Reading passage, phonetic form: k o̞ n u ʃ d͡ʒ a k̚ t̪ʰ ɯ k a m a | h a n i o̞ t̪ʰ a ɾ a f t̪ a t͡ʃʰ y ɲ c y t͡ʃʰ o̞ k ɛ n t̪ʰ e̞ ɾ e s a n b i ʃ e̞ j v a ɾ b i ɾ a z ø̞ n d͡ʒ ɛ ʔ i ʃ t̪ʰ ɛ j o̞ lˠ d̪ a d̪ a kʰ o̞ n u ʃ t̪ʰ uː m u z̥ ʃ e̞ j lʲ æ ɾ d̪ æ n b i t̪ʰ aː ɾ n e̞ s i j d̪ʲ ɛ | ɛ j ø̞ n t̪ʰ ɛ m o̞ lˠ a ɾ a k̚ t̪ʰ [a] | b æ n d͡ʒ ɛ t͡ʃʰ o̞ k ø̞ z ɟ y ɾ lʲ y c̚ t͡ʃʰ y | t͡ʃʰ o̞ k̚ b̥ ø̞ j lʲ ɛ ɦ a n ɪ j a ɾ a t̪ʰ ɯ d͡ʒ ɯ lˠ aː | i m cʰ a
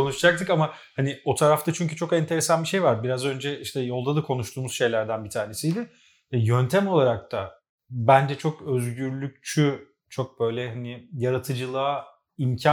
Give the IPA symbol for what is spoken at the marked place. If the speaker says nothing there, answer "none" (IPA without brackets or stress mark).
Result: a